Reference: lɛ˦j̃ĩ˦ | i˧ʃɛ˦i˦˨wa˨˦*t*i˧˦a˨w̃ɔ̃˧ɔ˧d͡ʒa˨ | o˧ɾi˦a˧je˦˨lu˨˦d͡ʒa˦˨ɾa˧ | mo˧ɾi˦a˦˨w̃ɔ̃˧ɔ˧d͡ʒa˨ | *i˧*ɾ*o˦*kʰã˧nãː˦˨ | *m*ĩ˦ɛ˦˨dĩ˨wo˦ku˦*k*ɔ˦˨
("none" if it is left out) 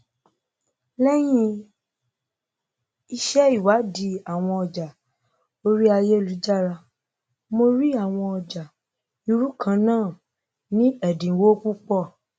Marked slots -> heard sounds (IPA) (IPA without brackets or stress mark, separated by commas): d, i˧, u˦, n, k͡p